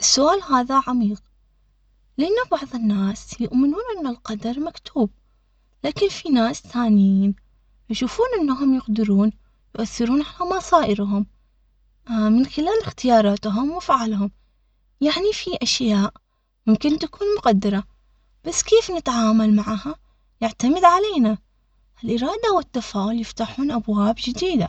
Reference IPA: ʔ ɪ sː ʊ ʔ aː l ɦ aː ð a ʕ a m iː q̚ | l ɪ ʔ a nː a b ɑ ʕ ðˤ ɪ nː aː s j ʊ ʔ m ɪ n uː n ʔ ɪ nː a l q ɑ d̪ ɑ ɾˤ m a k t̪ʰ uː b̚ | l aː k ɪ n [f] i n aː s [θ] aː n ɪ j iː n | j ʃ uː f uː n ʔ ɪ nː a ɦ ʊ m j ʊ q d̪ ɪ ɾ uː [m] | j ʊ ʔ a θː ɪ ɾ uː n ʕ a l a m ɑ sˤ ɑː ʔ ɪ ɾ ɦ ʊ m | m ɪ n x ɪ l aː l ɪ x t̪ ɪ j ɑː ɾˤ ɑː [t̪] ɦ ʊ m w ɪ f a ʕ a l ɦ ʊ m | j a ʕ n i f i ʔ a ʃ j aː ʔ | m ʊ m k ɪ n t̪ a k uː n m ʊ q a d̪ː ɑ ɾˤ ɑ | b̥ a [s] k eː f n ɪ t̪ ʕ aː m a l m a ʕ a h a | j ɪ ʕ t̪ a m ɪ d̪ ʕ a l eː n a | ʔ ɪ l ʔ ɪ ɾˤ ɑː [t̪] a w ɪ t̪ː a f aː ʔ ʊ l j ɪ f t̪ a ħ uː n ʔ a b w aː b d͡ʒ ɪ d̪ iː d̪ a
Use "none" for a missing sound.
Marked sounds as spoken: f, θ, n, t̪, sː, d̪

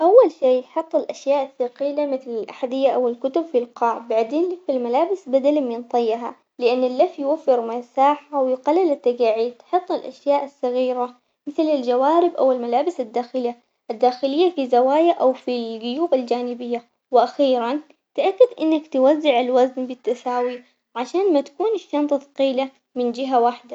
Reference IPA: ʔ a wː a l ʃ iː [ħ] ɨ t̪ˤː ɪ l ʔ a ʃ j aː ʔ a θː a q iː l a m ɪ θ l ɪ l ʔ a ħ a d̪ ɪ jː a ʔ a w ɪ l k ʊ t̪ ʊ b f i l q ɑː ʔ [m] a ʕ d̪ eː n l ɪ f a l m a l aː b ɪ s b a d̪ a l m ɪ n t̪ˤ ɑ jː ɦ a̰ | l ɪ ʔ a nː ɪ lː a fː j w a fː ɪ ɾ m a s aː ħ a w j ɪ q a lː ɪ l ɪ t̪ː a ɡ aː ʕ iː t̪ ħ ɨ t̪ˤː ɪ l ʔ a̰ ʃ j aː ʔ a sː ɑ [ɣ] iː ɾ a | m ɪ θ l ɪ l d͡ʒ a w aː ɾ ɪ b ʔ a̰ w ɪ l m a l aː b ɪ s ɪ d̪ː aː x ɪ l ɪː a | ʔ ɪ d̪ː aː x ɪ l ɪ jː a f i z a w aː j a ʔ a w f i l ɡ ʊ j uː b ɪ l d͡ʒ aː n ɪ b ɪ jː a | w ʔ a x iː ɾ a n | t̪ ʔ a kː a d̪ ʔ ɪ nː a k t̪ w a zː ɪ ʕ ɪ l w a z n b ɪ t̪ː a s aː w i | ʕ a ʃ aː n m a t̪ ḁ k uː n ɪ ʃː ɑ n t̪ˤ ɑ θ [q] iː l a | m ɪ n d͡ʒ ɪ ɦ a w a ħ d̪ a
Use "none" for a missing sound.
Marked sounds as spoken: ħ, b, ɣ, q

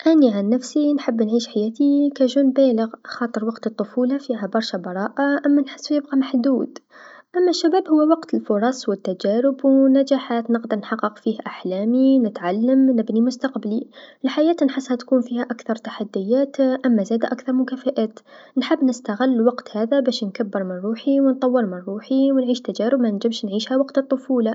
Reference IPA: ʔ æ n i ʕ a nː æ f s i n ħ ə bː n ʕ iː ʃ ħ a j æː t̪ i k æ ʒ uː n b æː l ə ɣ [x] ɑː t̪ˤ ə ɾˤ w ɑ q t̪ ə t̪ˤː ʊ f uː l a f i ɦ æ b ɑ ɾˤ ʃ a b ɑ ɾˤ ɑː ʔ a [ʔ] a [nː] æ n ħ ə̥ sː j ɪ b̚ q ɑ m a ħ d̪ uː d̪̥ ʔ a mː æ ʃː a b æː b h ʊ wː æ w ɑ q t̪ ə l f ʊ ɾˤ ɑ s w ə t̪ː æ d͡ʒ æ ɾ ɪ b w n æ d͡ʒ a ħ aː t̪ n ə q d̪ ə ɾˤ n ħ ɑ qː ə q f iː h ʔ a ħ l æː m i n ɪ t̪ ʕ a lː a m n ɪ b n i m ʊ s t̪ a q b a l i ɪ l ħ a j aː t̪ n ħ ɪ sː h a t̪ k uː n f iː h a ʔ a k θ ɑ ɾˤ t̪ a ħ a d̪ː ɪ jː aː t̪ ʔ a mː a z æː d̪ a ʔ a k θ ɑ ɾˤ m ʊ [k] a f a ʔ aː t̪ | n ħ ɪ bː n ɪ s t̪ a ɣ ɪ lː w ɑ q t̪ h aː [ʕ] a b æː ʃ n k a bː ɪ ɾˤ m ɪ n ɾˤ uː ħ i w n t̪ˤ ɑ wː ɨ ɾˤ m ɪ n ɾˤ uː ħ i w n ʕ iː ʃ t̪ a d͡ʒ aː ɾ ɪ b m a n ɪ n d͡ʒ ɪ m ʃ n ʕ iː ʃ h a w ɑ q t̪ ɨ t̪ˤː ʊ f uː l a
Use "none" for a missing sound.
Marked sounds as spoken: x, ʔ, mː, k, ð

